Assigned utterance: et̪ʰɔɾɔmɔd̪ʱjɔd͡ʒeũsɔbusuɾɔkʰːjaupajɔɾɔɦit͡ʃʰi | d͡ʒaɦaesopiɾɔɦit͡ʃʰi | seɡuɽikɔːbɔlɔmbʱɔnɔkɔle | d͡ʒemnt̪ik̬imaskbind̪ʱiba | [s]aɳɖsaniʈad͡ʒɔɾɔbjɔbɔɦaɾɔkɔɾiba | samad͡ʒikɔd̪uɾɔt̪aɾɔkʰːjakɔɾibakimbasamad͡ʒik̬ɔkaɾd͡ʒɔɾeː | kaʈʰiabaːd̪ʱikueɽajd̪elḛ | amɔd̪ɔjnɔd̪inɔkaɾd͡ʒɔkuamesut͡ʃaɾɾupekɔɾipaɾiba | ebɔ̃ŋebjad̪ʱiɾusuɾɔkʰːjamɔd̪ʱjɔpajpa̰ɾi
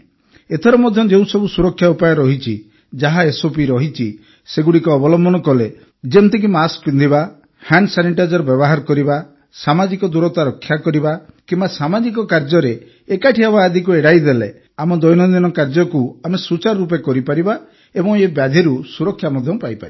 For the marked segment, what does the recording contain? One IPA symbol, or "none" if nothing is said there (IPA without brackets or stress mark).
h